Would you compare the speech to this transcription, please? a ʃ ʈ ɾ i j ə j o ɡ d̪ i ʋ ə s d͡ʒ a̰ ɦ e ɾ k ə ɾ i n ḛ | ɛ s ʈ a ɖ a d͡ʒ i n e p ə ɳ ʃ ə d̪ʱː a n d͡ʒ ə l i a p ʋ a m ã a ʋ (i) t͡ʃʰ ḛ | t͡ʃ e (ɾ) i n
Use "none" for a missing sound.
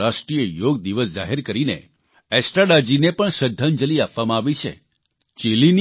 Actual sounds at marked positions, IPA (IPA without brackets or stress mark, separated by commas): i, l